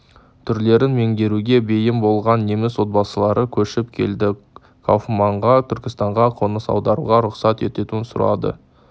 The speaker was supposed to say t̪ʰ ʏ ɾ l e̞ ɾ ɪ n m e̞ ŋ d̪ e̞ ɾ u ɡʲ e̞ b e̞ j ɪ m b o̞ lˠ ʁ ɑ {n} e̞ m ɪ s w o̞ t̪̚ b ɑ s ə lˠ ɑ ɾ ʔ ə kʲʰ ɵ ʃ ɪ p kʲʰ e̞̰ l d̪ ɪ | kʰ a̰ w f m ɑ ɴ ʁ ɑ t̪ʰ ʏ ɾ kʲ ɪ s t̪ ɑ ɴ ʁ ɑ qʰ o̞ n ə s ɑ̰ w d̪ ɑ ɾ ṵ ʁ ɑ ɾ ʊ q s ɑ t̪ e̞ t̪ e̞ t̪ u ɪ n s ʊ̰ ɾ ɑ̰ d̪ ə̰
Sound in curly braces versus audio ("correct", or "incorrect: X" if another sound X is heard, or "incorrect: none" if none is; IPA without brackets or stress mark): incorrect: nː